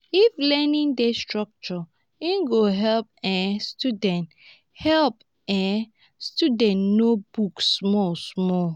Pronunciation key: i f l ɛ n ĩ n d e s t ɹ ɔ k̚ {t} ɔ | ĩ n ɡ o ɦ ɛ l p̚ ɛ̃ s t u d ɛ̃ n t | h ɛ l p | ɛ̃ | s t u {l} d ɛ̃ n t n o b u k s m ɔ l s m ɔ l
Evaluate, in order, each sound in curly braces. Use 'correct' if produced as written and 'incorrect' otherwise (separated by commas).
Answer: incorrect, incorrect